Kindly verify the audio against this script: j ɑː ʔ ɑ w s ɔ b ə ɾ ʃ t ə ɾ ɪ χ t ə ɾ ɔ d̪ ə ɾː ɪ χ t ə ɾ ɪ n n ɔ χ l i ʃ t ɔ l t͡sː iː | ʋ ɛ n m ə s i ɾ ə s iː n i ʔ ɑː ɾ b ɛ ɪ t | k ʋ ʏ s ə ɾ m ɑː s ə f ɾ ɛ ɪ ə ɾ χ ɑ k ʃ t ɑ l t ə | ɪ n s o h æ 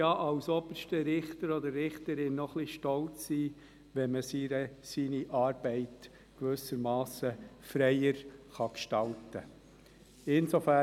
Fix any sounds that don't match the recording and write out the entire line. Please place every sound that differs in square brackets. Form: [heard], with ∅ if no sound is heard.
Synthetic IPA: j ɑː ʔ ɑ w s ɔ b ə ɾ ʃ t ə ɾ ɪ χ t ə ɾ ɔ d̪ ə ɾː ɪ χ t ə ɾ ɪ n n ɔ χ l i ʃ t ɔ l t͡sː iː | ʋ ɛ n m ə s i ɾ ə s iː n i ʔ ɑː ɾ b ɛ ɪ t | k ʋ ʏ s ə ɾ m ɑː s ə f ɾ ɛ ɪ ə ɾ χ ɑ k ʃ t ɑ l t ə | ɪ n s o [f] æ